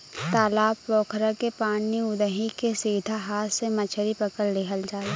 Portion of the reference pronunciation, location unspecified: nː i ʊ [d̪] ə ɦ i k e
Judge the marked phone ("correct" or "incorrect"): correct